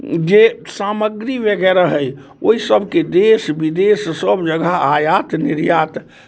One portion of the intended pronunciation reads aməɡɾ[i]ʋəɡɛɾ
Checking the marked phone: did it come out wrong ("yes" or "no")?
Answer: no